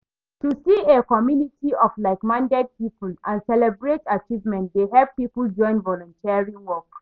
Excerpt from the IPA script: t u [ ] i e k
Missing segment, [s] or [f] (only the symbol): s